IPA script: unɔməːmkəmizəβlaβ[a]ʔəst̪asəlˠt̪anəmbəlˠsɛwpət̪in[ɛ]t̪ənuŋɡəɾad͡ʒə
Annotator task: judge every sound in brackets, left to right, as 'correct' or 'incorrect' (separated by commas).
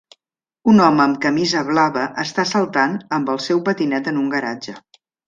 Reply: incorrect, correct